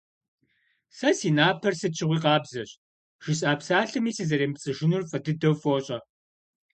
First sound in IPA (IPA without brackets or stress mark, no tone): s